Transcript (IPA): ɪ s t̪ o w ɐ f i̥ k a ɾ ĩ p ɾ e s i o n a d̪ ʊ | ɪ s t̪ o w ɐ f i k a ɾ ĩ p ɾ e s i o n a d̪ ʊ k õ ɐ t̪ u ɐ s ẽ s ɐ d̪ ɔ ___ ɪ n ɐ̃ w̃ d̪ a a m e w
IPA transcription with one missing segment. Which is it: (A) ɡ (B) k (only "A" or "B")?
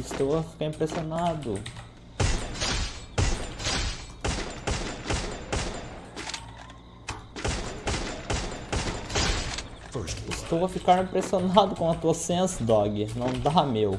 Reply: A